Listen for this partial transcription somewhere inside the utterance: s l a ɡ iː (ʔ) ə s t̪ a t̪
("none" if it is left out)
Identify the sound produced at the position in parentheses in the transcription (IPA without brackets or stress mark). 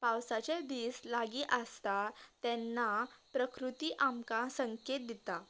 ʔ